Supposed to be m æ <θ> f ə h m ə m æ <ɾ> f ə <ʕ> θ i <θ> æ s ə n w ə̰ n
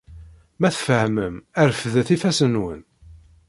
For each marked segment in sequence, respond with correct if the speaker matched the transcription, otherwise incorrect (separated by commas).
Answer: correct, correct, incorrect, incorrect